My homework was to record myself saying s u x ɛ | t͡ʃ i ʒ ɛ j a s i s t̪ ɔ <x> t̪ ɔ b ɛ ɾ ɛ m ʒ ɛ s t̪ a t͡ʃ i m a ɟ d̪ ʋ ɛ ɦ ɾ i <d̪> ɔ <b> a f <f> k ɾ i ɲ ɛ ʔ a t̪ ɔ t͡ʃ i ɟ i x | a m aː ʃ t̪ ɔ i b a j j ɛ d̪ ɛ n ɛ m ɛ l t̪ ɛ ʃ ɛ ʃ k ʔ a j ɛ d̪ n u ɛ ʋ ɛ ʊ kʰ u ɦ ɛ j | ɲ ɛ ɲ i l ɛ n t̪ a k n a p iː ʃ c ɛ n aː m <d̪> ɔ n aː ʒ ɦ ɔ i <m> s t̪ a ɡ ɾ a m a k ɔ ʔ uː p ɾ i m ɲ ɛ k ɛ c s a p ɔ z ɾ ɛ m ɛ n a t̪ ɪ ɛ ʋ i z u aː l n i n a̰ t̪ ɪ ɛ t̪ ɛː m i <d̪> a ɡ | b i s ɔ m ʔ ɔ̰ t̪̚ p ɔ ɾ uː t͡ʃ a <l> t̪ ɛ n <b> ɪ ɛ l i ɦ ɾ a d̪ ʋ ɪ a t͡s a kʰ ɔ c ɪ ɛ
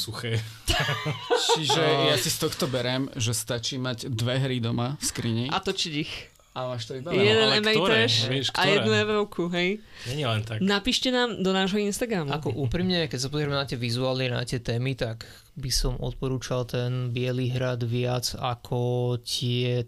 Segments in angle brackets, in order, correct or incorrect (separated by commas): correct, correct, incorrect, incorrect, correct, incorrect, incorrect, correct, correct